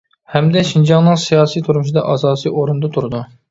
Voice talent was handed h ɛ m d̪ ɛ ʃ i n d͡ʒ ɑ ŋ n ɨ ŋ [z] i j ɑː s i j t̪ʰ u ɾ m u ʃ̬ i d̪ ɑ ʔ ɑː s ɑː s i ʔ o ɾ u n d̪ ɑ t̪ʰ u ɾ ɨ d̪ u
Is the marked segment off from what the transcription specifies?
yes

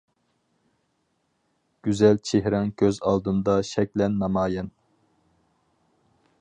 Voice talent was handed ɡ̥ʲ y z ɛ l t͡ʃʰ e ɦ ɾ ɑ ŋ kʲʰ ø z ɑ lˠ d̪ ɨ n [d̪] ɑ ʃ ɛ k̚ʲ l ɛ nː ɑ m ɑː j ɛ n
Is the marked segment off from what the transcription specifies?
no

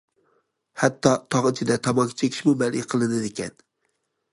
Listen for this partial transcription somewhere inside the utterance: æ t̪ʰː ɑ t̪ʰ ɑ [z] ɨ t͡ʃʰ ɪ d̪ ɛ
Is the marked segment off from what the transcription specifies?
yes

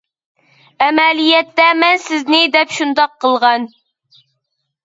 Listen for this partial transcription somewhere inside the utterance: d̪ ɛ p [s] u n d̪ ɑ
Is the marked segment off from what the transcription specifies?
yes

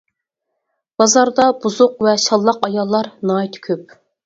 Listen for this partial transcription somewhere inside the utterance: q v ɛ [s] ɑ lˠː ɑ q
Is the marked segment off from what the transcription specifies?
yes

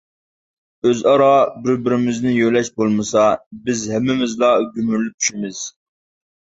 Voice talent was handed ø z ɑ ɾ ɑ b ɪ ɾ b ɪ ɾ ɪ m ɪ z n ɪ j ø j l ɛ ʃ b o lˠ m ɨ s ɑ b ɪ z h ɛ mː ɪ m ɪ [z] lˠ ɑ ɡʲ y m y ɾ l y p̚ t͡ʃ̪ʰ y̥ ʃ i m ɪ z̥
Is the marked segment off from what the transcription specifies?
no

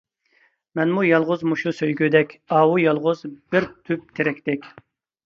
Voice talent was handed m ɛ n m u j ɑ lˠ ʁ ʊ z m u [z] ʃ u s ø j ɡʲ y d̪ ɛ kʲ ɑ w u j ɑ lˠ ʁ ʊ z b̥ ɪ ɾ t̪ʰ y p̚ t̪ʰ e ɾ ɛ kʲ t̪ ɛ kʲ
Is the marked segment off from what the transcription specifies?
yes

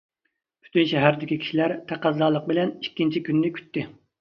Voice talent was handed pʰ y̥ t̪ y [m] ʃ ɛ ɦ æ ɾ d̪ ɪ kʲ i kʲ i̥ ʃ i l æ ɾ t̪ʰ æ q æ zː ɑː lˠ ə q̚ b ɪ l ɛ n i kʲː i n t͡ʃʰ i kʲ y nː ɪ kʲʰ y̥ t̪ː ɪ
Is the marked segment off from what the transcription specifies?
yes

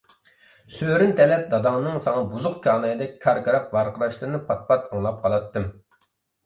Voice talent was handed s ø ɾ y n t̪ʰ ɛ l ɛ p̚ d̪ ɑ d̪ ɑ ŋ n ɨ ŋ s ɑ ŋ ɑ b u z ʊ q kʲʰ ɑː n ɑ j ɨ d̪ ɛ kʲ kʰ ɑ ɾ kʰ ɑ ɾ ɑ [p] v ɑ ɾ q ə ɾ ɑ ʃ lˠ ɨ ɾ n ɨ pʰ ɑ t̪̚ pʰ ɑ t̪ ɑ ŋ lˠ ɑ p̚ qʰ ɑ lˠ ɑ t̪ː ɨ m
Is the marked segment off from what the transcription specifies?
yes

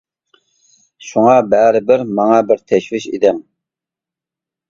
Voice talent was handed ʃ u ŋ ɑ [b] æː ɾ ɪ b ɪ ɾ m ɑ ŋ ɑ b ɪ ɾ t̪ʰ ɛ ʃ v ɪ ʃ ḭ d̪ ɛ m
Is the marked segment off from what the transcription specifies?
no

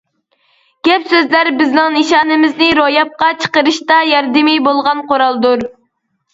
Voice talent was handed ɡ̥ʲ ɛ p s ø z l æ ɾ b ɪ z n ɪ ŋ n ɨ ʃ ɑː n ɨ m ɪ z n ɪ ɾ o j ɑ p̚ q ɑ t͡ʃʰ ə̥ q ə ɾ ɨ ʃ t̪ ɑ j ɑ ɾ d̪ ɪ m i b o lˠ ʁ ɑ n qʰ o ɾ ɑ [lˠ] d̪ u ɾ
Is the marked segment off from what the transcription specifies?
no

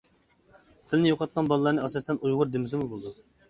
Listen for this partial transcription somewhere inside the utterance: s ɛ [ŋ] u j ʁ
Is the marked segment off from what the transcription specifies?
yes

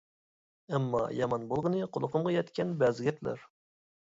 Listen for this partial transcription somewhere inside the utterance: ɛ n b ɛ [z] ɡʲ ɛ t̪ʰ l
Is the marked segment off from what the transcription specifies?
no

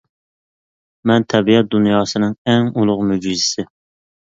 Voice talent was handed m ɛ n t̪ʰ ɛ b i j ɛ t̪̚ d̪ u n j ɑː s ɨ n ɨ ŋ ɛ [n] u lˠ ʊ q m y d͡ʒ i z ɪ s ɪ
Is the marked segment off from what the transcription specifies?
yes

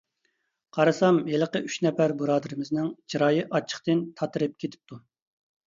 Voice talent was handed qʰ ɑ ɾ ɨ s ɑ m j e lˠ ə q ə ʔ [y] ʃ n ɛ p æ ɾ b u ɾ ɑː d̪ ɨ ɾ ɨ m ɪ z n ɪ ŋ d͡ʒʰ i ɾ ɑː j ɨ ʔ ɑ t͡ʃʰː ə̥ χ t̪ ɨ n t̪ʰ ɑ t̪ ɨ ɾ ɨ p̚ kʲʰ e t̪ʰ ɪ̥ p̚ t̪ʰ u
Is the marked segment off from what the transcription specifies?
no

